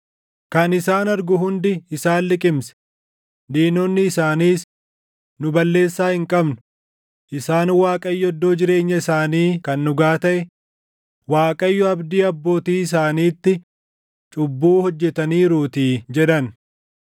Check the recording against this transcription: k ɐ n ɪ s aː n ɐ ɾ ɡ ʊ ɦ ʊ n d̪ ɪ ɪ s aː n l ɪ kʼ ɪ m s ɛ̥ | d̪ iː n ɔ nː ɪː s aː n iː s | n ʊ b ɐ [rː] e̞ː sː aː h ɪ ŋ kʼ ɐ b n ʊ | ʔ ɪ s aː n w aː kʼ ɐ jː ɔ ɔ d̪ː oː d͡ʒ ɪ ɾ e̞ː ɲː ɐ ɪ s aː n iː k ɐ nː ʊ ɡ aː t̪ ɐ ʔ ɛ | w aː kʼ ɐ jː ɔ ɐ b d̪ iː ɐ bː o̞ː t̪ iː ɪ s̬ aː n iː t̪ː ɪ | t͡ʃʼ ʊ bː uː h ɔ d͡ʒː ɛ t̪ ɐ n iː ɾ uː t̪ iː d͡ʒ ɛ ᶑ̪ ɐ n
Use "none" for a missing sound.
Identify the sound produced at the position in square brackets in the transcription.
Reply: lː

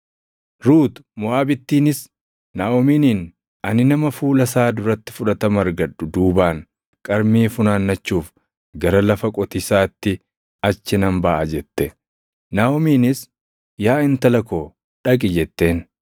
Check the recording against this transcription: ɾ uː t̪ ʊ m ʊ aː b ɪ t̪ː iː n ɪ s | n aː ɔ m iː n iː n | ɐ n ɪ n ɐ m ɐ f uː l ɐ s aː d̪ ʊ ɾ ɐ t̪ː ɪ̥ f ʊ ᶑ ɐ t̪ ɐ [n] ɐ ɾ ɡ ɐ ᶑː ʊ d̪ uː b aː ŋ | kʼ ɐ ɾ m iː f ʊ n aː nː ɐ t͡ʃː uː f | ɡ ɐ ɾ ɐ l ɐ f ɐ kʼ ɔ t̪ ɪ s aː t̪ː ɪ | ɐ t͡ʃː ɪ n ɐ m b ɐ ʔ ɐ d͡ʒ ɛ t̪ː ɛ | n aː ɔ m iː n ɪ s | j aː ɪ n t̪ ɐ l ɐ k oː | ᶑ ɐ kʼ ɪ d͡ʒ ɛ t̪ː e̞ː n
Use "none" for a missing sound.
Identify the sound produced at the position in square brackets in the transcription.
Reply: m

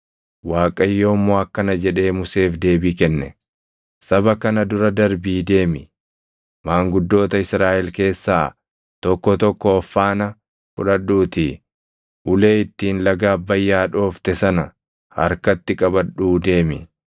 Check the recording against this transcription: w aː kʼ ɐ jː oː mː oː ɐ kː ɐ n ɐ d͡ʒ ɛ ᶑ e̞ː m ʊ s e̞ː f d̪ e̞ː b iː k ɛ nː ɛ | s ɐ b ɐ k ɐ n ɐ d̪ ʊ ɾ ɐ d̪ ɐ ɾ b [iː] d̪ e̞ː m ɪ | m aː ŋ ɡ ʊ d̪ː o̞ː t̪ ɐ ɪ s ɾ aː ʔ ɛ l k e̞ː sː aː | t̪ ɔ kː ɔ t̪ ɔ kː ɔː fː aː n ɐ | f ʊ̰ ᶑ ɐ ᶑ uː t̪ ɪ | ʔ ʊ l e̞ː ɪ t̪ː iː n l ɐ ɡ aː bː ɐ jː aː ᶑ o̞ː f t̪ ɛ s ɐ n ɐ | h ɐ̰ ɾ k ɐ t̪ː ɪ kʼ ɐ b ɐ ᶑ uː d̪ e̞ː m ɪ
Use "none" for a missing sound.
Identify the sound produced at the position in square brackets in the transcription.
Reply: iː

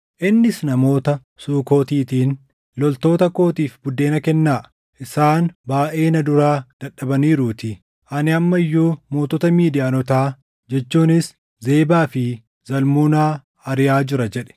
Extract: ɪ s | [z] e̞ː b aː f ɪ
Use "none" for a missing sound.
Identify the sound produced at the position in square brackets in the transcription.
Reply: z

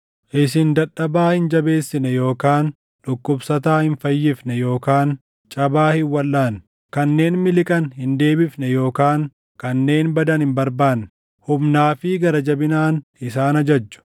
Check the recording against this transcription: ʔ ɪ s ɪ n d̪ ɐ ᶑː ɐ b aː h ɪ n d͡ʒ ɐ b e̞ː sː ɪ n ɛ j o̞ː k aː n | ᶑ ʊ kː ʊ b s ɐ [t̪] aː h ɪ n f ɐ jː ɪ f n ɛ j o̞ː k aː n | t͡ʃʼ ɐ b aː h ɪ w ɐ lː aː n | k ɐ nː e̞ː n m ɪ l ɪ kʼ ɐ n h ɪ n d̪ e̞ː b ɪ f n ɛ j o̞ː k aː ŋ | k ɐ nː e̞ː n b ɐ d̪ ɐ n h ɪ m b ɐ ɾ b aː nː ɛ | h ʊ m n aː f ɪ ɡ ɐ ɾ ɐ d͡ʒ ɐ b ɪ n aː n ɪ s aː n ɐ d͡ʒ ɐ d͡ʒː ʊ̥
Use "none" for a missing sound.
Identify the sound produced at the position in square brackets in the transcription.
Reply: t̪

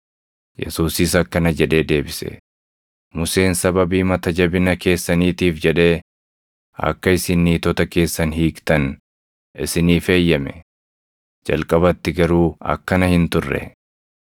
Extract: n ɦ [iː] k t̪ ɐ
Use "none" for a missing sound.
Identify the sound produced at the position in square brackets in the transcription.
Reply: iː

